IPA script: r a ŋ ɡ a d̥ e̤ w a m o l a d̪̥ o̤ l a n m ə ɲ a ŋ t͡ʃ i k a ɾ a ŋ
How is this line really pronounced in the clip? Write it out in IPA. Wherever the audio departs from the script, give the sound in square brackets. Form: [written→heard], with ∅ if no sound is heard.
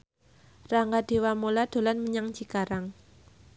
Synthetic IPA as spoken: r a ŋ ɡ a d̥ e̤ w a m o l a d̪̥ o̤ l a n m ə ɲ a ŋ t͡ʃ i k a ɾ a ŋ

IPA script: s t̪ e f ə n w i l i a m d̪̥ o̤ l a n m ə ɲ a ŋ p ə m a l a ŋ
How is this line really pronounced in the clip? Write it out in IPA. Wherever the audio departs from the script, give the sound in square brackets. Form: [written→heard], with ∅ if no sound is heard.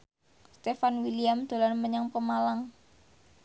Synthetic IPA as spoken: s t̪ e f [ə→a] n w i l i a m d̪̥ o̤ l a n m ə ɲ a ŋ p ə m a l a ŋ

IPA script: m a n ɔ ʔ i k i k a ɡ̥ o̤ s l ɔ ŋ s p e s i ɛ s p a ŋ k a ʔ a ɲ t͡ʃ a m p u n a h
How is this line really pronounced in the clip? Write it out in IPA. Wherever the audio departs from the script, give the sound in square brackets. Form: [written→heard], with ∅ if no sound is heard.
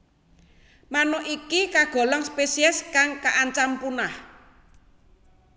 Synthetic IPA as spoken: m a n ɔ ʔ i k i k a ɡ̥ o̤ [s→∅] l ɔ ŋ s p e s i ɛ s [p→k] a ŋ k a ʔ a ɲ t͡ʃ a m p u n a h

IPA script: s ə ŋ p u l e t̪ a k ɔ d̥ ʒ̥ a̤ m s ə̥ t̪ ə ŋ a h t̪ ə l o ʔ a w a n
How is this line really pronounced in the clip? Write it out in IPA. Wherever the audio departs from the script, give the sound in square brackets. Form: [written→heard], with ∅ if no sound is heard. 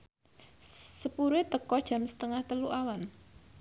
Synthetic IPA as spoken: s ə [ŋ→∅] p u [l→ɾ] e t̪ [a→ə] k ɔ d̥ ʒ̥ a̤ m s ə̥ t̪ ə ŋ a h t̪ ə l [o→u] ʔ a w a n

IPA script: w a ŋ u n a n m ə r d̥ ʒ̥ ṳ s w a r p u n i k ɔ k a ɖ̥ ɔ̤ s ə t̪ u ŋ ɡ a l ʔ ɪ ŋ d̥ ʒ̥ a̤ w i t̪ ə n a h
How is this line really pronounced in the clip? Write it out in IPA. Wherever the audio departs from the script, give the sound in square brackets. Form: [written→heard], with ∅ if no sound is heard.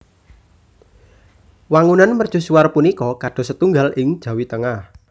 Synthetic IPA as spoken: w a ŋ u n a n m ə r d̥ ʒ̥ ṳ s [w→u] a r p u n i k ɔ k a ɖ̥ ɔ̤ s ə t̪ u ŋ ɡ a l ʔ ɪ ŋ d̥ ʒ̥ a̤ w i t̪ ə [n→ŋ] a h

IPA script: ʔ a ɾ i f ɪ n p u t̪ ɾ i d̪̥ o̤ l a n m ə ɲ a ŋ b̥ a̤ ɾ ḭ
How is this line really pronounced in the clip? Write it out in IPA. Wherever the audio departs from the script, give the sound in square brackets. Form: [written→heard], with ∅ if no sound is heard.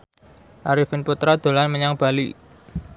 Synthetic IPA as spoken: ʔ a ɾ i f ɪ n p u t̪ ɾ [i→a] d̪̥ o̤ l a n m ə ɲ a ŋ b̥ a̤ [ɾ→l] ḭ

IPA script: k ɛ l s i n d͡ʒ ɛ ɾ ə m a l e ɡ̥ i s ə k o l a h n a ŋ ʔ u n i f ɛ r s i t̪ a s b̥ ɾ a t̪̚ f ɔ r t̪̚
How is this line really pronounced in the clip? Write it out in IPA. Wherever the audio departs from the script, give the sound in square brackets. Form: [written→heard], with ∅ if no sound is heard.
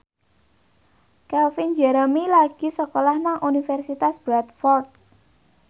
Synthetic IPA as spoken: k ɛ l [s→f] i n d͡ʒ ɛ ɾ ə m [a→i] l [e→a] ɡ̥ i s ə k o l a h n a ŋ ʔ u n i f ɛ r s i t̪ a s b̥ ɾ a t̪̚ f ɔ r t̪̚

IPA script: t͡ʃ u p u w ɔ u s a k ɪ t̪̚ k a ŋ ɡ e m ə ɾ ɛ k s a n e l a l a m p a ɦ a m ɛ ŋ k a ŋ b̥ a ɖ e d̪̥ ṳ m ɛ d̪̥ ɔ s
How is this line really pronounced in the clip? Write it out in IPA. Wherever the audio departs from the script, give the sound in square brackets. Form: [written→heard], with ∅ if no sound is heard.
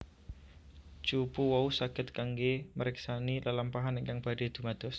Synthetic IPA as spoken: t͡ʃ u p u w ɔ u s a k ɪ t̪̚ k a ŋ ɡ e m ə ɾ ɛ k s a n [e→i] l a l a m p a ɦ a [m→n] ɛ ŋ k a ŋ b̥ a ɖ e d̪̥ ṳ m [ɛ→a] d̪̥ ɔ s

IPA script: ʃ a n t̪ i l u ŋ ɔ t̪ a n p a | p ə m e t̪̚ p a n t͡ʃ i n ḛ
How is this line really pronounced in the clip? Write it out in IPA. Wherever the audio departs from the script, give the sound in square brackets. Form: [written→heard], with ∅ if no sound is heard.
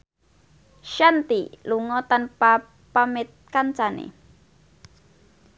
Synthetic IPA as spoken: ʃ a n t̪ i l u ŋ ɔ t̪ a n p a | p [ə→a] m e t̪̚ [p→k] a n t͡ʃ [i→a] n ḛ

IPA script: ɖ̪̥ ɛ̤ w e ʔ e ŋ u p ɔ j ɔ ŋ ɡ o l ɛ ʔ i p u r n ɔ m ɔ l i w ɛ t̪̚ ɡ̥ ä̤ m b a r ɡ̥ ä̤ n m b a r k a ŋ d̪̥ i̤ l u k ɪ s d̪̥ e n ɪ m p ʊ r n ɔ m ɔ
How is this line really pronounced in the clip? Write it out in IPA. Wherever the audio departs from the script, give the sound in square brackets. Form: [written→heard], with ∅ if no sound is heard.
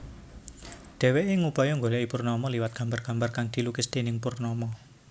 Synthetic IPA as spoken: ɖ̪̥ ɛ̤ w e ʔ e ŋ u p ɔ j ɔ ŋ ɡ o l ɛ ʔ i p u r n ɔ m ɔ l i w [ɛ→a] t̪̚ ɡ̥ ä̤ m b a r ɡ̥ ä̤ [n→∅] m b a r k a ŋ d̪̥ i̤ l u k ɪ s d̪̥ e n ɪ [m→ŋ] p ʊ r n ɔ m ɔ

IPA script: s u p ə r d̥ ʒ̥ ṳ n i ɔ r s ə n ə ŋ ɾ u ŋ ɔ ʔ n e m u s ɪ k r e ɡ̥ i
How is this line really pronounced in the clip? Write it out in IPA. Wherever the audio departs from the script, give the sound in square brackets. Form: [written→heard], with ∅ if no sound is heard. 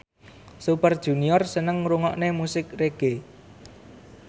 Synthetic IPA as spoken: s u p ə r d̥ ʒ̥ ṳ n i ɔ r s ə n ə ŋ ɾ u ŋ ɔ ʔ n e m u s ɪ k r e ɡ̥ [i→e]

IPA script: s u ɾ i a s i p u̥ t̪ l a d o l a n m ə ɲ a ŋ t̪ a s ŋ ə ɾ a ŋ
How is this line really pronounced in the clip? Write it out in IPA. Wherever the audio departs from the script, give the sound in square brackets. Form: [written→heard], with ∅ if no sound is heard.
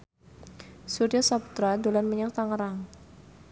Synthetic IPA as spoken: s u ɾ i a s [i→a] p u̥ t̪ [l→ɾ] a d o l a n m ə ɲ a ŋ t̪ a [s→∅] ŋ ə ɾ a ŋ

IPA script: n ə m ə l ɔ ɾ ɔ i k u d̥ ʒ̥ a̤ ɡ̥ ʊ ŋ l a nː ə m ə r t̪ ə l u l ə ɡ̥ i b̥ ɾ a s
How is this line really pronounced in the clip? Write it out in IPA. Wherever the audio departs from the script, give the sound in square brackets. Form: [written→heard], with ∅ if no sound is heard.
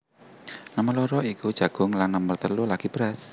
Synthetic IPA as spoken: n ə m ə l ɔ ɾ ɔ i k u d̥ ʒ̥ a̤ ɡ̥ ʊ ŋ l a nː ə m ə r t̪ ə l u l [ə→a] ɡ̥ i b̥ ɾ a s

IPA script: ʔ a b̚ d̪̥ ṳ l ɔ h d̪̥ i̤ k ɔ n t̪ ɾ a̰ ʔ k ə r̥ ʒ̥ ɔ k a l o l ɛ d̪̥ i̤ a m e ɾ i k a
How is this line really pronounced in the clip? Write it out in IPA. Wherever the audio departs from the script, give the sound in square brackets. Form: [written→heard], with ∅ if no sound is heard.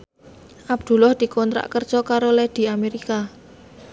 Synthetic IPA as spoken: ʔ a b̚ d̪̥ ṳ l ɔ h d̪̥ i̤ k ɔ n t̪ ɾ a̰ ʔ k ə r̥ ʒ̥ ɔ k a [l→ɾ] o l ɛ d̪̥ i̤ a m e ɾ i k a

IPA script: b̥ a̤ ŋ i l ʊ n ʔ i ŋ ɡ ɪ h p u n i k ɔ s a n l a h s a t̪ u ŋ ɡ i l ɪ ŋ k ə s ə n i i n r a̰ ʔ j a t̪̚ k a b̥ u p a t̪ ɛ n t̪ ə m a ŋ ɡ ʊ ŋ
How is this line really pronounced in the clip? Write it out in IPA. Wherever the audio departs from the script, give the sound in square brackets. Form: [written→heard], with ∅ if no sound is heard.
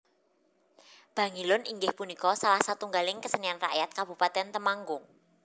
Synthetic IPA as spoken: b̥ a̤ ŋ i l ʊ n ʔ i ŋ ɡ ɪ h p u n i k ɔ s a [n→∅] l a h s a t̪ u ŋ ɡ [i→a] l ɪ ŋ k ə s ə n i [i→a] n r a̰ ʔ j a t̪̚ k a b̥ u p a t̪ ɛ n t̪ ə m a ŋ ɡ ʊ ŋ

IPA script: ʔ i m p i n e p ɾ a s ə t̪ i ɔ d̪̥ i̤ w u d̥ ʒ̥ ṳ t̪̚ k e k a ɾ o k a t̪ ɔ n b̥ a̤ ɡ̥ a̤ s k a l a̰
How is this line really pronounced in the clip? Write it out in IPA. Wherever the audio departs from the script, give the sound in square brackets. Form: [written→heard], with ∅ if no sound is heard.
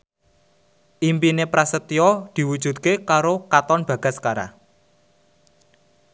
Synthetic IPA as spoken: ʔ i m p i n e p ɾ a s ə t̪ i ɔ d̪̥ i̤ w u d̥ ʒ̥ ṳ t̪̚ k e k a ɾ o k a t̪ ɔ n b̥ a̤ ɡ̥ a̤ s k a [l→ɾ] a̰

